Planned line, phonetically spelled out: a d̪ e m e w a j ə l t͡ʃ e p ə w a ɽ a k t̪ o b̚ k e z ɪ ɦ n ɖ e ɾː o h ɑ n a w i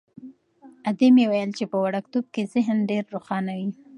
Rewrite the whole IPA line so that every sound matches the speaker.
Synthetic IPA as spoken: a d̪ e m e w a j ə l t͡ʃ e p ə w a ɽ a k t̪ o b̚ k e z ɪ ɦ n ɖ e ɾː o x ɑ n a w i

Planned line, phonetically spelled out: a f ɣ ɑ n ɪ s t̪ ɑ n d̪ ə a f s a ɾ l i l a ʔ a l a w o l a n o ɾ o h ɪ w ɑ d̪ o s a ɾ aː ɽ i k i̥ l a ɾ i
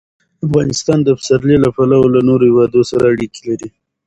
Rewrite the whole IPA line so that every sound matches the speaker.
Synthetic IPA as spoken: a f ɣ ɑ n ɪ s t̪ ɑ n d̪ ə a f s a ɾ l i l a p a l a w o l a n o ɾ o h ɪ w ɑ d̪ o s a ɾ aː ɽ i k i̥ l a ɾ i

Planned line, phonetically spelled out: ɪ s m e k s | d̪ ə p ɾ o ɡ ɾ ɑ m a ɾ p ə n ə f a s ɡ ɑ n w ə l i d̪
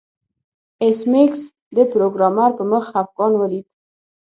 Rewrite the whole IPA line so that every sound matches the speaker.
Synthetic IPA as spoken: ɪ s m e k s | d̪ ə p ɾ o ɡ ɾ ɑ m a ɾ p ə m ə x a f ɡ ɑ n w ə l i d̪

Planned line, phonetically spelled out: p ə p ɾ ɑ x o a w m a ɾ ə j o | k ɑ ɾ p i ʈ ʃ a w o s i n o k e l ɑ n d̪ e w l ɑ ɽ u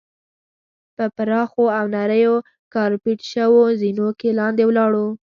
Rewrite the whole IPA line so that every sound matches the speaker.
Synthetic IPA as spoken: p ə p ɾ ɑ x o a w n a ɾ ə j o | k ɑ ɾ p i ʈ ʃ ə w o z i n o k e l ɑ n d̪ e w l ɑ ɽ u

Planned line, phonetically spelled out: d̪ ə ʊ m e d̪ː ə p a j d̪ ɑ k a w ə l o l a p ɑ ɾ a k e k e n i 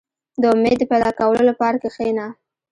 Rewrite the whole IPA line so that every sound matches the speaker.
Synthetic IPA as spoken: d̪ ə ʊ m e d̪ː ə p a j d̪ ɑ k a w ə l o l a p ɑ ɾ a k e x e n a

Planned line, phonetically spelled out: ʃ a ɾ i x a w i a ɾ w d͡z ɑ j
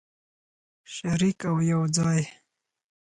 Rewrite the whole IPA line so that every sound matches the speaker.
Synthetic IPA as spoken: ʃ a ɾ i k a w j a w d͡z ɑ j

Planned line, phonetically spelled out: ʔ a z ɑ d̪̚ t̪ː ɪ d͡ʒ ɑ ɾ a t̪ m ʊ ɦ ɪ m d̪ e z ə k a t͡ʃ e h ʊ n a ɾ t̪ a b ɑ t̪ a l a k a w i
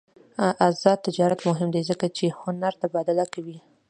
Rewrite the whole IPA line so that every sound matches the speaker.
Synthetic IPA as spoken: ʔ a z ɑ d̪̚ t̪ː ɪ d͡ʒ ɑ ɾ a t̪ m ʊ ɦ ɪ m d̪ e z ə k a t͡ʃ e h ʊ n a ɾ t̪ a b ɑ d̪ a l a k a w i

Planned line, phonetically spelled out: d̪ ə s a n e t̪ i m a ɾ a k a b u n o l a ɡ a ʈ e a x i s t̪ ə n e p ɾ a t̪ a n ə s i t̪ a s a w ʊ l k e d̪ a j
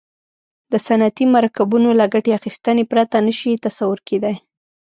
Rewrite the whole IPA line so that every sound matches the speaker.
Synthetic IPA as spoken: d̪ ə s a n a t̪ i m a ɾ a k a b u n o l a ɡ a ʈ e a x i s t̪ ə n e p ɾ a t̪ a n ə ʃ i t̪ a s a w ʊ ɾ k e d̪ a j

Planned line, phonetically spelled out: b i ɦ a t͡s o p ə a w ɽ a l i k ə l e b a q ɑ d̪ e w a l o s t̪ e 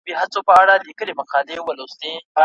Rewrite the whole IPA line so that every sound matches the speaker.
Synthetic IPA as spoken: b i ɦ a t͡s o p ə a ɽ a l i k ə l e m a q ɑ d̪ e w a l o s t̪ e

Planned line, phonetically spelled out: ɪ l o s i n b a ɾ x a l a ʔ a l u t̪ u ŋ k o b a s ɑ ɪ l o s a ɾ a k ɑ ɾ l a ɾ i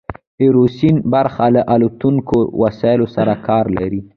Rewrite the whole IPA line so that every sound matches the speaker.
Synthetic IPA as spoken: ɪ ɾ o s i n b a ɾ x a l a ʔ a l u t̪ u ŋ k o w a s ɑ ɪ l o s a ɾ a k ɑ ɾ l a ɾ i

